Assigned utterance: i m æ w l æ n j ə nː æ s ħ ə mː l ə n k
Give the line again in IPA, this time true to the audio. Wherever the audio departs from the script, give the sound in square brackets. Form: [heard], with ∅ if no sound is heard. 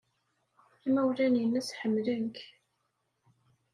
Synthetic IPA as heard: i m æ w l æ n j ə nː æ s ħ ə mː l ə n k